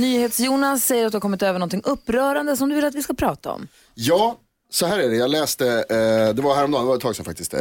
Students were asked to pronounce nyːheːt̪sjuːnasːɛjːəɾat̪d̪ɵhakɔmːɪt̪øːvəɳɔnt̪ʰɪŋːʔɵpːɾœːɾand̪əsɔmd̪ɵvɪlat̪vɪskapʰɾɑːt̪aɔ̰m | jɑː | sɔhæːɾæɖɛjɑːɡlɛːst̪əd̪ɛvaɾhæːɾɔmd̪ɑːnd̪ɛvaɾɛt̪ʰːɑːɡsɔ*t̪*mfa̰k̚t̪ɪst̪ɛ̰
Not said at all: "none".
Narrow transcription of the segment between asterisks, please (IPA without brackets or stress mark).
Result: none